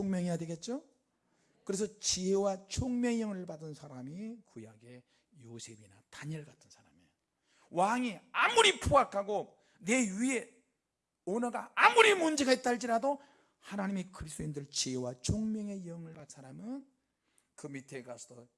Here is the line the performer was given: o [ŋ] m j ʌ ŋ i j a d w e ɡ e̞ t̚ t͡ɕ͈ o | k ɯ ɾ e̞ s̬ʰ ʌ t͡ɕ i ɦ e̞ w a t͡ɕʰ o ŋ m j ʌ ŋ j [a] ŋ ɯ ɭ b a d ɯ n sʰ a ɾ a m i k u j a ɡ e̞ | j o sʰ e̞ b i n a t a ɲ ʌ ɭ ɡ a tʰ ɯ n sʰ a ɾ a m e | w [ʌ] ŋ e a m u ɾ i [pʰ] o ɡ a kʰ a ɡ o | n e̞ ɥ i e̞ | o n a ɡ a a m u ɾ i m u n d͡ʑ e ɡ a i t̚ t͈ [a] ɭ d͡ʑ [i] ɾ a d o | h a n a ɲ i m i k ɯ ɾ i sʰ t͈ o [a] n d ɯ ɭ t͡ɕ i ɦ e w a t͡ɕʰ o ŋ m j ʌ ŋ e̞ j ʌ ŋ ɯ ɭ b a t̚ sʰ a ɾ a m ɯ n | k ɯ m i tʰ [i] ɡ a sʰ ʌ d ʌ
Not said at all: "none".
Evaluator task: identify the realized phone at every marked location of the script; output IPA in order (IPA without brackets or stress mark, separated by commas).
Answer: ŋ, ʌ, a, pʰ, a, i, i, e